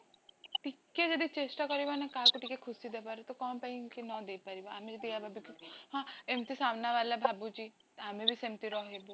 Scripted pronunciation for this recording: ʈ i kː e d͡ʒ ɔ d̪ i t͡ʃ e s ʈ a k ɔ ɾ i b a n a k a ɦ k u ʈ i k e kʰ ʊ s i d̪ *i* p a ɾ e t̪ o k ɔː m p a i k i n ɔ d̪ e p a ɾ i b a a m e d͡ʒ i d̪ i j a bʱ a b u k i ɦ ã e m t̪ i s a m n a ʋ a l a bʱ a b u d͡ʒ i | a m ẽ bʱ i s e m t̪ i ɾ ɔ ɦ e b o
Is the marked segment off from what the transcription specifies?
yes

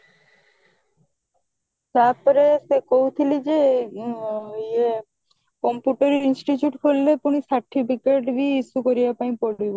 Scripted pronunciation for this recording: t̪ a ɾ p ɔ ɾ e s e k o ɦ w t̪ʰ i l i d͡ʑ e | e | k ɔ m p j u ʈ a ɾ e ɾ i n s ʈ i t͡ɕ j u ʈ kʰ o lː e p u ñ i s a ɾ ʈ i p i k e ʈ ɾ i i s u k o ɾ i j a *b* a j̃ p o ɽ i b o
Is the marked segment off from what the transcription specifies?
yes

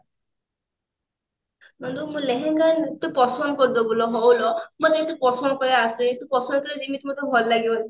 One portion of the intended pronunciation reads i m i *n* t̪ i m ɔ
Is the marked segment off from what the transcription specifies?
yes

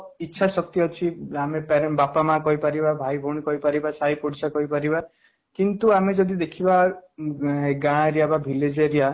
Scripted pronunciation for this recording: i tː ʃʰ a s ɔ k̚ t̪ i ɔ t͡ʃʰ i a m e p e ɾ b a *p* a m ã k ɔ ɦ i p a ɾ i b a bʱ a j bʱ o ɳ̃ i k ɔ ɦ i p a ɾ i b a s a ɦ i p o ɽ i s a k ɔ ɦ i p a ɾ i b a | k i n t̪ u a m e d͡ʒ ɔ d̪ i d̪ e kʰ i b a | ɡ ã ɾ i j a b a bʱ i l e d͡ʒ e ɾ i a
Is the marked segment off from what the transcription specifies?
no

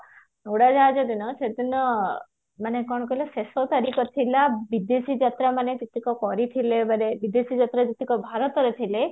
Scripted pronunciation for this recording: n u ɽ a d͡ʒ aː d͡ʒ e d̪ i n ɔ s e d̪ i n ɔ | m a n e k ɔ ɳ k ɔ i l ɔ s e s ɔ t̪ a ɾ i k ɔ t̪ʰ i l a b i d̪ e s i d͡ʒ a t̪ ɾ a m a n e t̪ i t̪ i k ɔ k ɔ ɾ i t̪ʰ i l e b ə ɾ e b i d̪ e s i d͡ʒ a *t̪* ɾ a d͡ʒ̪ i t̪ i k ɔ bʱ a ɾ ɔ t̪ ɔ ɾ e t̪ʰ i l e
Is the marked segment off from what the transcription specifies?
no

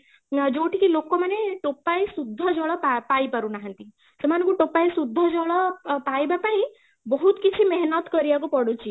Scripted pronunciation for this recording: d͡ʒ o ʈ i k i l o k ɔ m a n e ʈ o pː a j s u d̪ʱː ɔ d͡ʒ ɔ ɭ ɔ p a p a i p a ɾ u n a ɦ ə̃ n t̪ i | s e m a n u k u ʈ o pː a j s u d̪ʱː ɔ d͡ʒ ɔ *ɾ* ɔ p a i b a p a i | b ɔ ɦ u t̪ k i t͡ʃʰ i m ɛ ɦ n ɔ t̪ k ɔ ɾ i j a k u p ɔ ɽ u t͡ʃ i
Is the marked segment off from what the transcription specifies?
yes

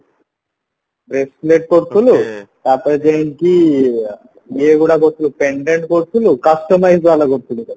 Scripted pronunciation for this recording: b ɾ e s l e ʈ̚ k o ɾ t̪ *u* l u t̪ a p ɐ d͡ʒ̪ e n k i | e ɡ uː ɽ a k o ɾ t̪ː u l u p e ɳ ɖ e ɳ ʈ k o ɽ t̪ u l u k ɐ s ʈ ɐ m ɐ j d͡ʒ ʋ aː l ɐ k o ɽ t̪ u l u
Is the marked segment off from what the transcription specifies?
no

